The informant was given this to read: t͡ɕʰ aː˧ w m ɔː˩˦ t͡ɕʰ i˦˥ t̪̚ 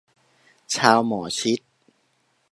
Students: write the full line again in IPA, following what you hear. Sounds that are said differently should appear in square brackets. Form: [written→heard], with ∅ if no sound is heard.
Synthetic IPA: t͡ɕʰ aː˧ w m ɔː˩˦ t͡ɕʰ i˦˥ t̪̚